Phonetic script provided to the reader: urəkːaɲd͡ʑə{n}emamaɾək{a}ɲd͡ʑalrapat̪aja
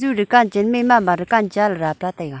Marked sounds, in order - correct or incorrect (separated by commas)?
incorrect, correct